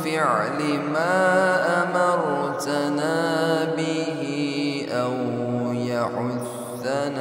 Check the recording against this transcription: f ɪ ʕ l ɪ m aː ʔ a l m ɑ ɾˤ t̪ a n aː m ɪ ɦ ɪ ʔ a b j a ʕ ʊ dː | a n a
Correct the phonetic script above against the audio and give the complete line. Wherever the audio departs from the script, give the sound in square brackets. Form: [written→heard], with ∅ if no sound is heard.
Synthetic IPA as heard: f ɪ ʕ l ɪ m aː ʔ a [l→∅] m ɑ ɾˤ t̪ a n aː [m→b] ɪ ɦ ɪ ʔ a [b→w] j a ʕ ʊ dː | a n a